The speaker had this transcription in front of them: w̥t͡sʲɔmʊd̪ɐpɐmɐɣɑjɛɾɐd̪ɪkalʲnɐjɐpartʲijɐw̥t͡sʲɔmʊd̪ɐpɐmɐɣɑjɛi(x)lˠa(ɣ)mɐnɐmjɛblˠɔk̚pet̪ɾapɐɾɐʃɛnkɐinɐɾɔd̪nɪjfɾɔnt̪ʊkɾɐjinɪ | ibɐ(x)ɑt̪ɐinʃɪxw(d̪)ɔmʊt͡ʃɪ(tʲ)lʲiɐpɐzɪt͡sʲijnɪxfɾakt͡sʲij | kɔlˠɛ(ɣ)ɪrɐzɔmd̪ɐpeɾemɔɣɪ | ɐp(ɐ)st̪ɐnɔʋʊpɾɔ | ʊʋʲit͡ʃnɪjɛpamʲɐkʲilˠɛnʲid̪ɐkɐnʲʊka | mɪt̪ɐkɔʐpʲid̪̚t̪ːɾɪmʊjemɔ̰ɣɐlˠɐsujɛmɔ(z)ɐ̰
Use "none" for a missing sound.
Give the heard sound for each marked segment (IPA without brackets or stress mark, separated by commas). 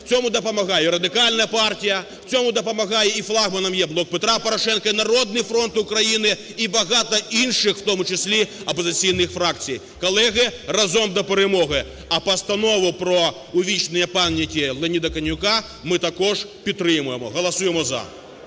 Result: f, ɣ, ɣ, t̪, sʲ, ɣ, ɐ, z